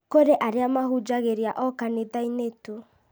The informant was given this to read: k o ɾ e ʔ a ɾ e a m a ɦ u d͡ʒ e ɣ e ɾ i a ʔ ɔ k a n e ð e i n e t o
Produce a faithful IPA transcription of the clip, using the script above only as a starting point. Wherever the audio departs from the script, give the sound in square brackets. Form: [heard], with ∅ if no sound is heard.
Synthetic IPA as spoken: k o ɾ e ʔ a ɾ e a m a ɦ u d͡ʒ [a] ɣ e ɾ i a ʔ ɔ k a n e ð [a] i n e t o